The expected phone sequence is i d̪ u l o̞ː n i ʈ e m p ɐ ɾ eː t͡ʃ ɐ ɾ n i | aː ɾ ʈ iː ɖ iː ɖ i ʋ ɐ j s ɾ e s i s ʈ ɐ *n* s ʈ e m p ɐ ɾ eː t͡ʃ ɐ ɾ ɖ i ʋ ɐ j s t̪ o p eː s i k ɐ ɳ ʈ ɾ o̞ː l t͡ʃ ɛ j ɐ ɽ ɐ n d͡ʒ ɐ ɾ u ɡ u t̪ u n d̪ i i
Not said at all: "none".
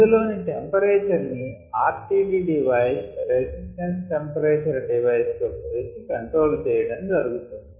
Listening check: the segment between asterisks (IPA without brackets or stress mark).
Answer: n